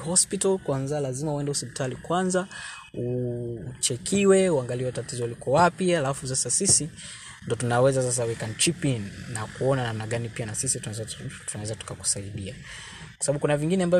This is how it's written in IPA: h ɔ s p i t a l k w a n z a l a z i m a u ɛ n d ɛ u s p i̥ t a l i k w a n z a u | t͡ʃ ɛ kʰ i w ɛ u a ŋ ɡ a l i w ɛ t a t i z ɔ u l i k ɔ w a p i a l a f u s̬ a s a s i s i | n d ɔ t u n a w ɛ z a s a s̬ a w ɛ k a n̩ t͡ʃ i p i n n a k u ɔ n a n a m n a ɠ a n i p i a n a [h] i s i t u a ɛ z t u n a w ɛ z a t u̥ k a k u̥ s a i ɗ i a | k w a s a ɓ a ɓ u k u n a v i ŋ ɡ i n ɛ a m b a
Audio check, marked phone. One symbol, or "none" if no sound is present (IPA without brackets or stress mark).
s